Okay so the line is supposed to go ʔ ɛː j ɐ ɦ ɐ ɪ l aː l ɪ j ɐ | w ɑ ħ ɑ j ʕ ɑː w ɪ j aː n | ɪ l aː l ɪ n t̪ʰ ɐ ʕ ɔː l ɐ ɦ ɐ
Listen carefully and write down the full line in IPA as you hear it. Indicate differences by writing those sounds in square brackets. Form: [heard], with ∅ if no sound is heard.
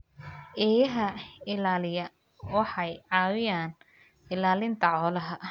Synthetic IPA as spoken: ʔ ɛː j ɐ ɦ ɐ ɪ l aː l ɪ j ɐ | w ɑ ħ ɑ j ʕ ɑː w ɪ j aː n | ɪ l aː l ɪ n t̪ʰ ɐ ʕ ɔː l ɐ ɦ ɐ